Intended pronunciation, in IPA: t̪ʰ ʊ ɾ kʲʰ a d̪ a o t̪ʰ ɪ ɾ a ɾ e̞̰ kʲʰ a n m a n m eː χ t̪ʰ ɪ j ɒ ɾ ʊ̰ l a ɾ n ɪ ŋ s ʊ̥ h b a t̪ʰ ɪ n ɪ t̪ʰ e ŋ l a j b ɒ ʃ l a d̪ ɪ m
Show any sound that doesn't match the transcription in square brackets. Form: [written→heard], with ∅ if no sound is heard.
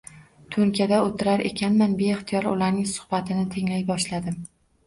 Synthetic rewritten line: t̪ʰ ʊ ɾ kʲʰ a d̪ a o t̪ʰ ɪ ɾ a ɾ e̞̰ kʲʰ a n m a n [m→b] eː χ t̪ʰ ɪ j ɒ ɾ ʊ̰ l a ɾ n ɪ ŋ s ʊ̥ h b a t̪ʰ ɪ n ɪ t̪ʰ e ŋ l a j b ɒ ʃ l a d̪ ɪ m